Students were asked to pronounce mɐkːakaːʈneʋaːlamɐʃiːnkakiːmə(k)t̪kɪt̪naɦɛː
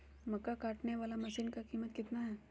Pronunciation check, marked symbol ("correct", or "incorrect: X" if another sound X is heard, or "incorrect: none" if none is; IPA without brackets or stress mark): incorrect: none